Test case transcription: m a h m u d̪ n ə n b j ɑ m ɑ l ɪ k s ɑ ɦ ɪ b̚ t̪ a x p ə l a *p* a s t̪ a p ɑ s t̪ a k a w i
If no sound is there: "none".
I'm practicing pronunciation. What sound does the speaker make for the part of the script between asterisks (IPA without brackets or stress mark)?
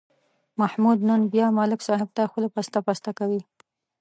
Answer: p